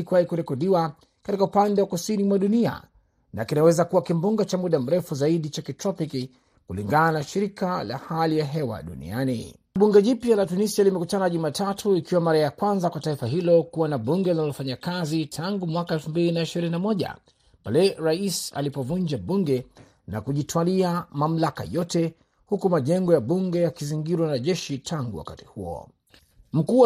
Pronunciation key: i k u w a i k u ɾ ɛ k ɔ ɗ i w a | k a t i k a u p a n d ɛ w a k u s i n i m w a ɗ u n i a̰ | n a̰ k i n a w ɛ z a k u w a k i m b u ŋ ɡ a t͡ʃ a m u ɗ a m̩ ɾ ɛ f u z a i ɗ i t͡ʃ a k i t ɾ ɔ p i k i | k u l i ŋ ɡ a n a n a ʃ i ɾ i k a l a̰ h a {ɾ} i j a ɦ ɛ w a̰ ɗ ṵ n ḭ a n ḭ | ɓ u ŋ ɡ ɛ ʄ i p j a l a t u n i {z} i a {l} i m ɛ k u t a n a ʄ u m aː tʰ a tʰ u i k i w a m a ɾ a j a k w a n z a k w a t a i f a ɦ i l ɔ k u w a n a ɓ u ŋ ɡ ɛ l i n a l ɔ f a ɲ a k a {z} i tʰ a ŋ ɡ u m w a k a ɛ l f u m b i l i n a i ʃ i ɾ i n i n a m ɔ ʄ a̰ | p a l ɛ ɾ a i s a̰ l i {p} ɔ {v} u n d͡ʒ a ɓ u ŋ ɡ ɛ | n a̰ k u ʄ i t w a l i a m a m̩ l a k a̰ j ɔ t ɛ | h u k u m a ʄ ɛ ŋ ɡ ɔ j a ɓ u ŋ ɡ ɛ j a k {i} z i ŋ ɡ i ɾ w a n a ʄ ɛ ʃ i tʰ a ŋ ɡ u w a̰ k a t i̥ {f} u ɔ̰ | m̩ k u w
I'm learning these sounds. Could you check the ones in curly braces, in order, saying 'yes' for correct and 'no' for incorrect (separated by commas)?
no, no, yes, yes, yes, yes, yes, no